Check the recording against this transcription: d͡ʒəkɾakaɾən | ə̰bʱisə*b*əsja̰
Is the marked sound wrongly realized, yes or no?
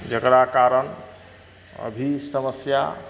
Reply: yes